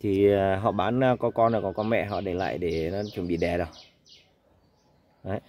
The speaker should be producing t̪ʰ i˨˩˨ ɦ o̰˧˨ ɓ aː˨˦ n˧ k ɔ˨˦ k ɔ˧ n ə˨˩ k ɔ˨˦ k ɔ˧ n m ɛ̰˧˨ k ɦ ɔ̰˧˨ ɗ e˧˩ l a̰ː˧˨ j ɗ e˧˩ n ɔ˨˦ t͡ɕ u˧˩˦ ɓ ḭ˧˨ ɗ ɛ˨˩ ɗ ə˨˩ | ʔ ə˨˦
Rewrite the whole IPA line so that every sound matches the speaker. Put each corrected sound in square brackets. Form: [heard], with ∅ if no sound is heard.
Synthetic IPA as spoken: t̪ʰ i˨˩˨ ɦ [ɔ̰˧˨] ɓ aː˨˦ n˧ k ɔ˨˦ k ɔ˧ n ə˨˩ k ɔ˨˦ k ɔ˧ n m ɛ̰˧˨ [∅] ɦ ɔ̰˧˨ ɗ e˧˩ l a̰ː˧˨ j ɗ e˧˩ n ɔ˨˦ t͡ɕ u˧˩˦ ɓ ḭ˧˨ ɗ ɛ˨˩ ɗ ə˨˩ | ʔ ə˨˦